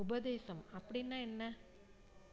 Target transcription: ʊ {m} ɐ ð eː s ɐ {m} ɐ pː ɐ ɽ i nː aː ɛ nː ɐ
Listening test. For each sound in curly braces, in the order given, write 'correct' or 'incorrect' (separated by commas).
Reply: incorrect, correct